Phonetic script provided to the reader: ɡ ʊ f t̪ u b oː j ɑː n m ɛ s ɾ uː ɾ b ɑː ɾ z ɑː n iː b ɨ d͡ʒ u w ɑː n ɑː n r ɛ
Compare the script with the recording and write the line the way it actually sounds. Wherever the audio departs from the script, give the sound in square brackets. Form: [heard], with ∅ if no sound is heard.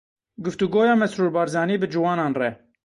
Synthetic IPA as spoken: ɡ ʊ f t̪ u [ɡ] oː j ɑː [∅] m ɛ s ɾ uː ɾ b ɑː ɾ z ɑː n iː b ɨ d͡ʒ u w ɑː n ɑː n r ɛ